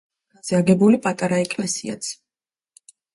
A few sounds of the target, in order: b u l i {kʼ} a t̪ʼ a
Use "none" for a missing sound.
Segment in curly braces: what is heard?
pʼ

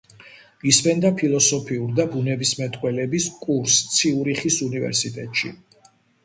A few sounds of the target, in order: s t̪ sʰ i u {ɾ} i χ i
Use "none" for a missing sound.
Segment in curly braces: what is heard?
ɾ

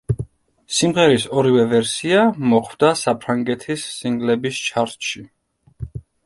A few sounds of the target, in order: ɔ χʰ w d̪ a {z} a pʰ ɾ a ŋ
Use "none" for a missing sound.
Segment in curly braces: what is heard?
s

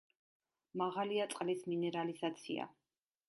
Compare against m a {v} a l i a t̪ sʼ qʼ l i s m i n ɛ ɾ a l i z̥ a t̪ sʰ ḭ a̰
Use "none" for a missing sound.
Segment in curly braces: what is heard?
ʁ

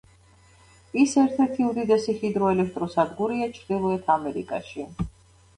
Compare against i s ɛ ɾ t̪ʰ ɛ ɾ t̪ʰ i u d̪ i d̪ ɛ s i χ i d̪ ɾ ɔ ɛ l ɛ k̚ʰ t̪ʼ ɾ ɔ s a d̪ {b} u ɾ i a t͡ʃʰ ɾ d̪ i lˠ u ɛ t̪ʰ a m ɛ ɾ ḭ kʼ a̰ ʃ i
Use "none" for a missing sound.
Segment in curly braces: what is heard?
ɡ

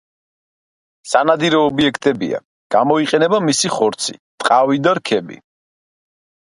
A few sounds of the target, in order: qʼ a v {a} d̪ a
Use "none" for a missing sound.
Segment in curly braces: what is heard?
i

